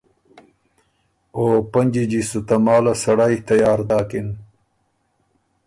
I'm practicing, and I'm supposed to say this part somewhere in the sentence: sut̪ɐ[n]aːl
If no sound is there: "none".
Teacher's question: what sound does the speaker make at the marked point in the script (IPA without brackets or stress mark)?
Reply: m